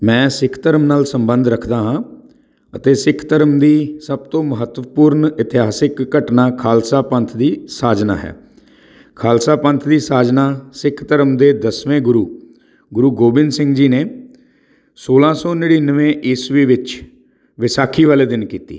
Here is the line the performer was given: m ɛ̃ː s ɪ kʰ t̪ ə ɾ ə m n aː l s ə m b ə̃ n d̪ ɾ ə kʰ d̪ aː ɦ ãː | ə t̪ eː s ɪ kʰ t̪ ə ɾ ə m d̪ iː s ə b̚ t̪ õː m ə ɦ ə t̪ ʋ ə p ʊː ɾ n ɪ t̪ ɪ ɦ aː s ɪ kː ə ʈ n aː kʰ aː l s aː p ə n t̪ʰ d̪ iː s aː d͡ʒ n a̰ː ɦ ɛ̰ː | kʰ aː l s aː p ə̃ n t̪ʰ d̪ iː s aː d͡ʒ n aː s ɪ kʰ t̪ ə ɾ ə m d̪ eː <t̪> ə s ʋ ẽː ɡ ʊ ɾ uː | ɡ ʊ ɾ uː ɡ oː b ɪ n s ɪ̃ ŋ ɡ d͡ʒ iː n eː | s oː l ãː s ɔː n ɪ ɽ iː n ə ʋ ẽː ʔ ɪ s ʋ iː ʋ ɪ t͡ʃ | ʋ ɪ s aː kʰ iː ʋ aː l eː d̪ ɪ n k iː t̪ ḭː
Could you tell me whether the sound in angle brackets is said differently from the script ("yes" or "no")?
yes